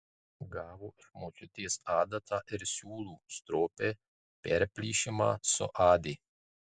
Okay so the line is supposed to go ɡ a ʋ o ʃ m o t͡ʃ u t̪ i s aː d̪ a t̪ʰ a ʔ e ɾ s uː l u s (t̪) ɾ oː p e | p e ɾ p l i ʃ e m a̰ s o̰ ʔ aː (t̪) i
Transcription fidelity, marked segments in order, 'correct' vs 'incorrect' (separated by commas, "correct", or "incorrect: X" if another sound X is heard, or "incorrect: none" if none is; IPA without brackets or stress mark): correct, incorrect: d̪